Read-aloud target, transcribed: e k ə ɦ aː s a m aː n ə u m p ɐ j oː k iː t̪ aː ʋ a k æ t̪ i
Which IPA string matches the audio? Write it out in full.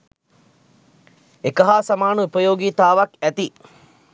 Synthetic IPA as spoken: e k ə ɦ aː s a m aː n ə u p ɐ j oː ɡ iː t̪ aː ʋ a k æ t̪ i